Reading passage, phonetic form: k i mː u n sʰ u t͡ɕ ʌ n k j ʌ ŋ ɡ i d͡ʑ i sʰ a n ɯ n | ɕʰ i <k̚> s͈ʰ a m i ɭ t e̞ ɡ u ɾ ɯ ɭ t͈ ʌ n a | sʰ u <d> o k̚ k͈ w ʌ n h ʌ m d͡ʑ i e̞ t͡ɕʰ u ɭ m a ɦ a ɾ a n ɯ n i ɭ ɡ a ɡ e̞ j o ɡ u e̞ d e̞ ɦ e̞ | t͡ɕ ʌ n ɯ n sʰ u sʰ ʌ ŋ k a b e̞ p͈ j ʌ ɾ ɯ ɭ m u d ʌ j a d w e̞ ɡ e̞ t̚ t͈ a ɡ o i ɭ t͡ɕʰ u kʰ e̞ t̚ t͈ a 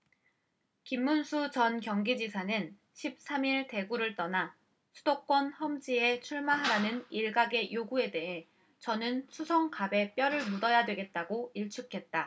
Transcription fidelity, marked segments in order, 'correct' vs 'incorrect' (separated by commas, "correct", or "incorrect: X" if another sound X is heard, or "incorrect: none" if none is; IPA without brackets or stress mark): incorrect: p̚, correct